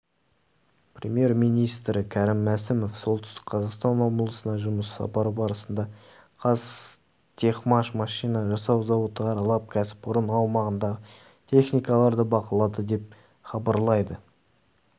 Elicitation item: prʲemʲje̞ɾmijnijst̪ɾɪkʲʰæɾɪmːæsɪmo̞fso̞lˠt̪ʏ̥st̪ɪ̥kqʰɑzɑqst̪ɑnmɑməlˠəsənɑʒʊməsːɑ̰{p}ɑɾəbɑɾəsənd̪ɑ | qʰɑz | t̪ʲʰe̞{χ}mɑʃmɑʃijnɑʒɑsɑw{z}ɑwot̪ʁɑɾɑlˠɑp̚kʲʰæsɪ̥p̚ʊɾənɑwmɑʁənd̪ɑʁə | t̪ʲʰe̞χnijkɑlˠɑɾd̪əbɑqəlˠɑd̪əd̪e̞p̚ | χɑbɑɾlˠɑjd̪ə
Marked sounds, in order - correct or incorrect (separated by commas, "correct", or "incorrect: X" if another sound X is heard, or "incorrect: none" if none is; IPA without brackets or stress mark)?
correct, correct, correct